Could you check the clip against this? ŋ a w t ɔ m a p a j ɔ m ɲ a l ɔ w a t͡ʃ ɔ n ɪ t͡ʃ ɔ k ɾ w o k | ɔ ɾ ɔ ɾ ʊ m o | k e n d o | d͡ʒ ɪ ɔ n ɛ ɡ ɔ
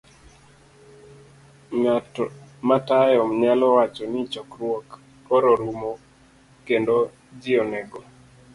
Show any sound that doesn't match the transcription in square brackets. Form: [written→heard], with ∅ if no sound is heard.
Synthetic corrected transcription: ŋ a [w→∅] t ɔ m a [p→t] a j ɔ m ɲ a l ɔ w a t͡ʃ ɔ n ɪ t͡ʃ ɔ k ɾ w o k | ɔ ɾ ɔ ɾ [ʊ→u] m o | k e n d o | d͡ʒ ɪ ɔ n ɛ ɡ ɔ